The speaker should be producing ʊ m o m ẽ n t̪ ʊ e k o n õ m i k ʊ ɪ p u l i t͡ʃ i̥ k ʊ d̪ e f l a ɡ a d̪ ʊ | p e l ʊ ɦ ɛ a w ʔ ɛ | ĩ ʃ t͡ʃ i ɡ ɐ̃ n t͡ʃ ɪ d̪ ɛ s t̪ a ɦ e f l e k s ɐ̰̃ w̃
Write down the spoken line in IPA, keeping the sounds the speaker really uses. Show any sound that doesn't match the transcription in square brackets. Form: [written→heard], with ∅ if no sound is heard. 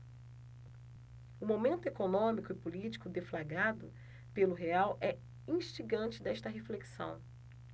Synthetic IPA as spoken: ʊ m o m ẽ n t̪ ʊ e k o n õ m i k ʊ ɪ p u l i t͡ʃ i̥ k ʊ d̪ e f l a ɡ a d̪ ʊ | p e l ʊ ɦ [ɛ→e] a w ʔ ɛ | ĩ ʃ t͡ʃ i ɡ ɐ̃ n t͡ʃ ɪ d̪ ɛ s t̪ [a→ɐ] ɦ e f l e k s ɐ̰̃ w̃